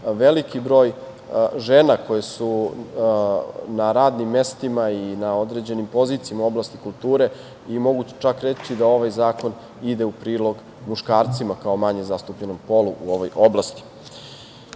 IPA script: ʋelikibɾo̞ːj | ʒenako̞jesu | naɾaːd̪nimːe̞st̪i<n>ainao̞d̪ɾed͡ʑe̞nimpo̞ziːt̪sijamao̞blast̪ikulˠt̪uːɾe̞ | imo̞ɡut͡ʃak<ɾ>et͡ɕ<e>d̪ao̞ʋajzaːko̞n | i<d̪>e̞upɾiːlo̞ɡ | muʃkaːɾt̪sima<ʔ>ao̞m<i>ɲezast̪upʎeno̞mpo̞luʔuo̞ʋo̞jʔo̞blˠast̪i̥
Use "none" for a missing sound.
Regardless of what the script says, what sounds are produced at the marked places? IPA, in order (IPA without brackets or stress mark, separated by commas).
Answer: m, ɾ, i, d̪, k, a